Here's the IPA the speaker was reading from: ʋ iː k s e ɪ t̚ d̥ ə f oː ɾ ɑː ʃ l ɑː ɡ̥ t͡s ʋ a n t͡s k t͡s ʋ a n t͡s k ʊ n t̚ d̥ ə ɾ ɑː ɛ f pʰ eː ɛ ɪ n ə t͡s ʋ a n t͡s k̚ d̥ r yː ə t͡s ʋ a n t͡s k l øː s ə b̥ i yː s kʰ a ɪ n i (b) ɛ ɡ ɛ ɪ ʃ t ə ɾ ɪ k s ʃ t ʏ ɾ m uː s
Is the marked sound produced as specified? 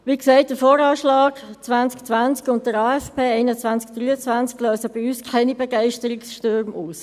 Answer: yes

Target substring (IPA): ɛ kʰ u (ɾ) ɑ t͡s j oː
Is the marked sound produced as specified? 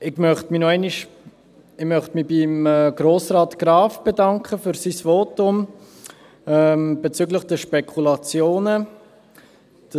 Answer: no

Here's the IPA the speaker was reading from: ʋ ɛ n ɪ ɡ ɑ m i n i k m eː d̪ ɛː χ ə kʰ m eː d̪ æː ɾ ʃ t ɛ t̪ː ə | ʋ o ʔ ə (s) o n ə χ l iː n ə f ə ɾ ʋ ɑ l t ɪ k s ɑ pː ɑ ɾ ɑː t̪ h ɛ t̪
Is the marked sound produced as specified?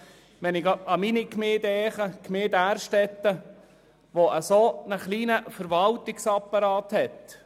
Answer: yes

